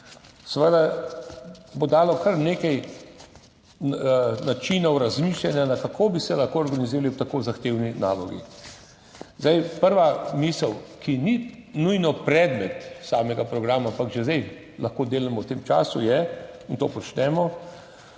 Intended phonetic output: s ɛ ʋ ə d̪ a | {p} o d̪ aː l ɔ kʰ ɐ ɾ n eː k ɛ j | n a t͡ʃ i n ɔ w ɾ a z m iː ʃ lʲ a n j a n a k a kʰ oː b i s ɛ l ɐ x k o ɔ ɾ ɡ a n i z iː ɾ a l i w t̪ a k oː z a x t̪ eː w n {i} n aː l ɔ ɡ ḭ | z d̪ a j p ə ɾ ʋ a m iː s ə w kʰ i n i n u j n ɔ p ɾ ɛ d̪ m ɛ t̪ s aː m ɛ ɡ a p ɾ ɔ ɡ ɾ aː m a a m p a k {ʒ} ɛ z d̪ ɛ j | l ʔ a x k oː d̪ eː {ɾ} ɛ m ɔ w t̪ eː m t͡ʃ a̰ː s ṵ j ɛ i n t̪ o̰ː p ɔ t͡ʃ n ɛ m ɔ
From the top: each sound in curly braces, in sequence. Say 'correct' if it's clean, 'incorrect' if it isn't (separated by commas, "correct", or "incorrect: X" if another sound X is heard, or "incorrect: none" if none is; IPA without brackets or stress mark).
incorrect: b, correct, correct, incorrect: l